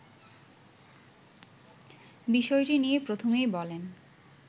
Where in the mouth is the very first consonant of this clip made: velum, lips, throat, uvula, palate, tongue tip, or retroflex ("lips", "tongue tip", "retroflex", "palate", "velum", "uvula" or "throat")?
lips